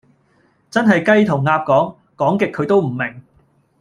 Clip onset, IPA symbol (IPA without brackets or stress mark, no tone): t͡s